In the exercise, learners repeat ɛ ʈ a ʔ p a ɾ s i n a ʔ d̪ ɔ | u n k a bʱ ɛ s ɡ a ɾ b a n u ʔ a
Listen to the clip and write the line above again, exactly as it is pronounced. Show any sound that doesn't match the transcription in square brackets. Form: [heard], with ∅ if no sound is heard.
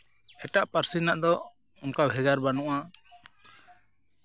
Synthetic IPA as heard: ɛ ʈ a ʔ p a ɾ s i n a ʔ d̪ ɔ | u n k a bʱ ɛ [∅] ɡ a ɾ b a n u ʔ a